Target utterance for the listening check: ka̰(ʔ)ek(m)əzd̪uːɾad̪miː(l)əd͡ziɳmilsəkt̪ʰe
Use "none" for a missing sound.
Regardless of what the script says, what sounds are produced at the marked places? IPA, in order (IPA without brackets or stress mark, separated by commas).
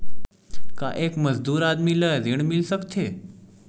ʔ, m, l